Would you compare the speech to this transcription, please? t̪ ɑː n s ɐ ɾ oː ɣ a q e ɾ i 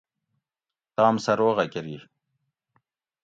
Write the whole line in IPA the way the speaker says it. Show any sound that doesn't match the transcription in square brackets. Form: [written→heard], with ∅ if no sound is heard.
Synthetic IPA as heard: t̪ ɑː [n→m] s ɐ ɾ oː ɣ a [q→k] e ɾ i

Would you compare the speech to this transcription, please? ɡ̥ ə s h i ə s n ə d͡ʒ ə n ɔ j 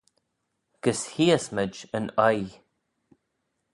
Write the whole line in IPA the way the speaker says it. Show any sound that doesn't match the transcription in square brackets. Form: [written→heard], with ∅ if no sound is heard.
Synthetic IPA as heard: ɡ̥ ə s h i ə s [n→m] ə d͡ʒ ə n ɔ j

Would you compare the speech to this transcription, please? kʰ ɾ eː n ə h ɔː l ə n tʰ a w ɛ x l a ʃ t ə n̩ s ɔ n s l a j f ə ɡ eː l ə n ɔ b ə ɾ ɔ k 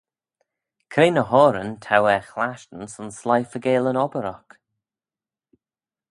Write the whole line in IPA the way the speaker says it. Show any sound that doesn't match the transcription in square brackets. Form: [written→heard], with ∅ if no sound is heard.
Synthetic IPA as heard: kʰ ɾ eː n ə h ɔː [l→ɾ] ə n tʰ a w ɛ x l a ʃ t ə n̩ s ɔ n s l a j f ə ɡ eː l ə n ɔ b ə ɾ ɔ k

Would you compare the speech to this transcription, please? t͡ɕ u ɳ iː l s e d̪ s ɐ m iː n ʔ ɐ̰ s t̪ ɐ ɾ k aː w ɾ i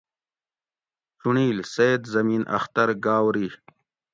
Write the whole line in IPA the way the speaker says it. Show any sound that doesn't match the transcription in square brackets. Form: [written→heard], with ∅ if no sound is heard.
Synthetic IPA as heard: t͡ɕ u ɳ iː l s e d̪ [s→z] ɐ m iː n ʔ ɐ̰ [s→x] t̪ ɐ ɾ [k→ɡ] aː w ɾ i

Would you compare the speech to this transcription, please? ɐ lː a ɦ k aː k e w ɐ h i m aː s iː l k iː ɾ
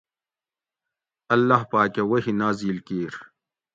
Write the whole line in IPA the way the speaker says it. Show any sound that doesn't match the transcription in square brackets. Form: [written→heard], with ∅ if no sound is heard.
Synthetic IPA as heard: ɐ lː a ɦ [k→p] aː k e w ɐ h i [m→n] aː [s→z] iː l k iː ɾ

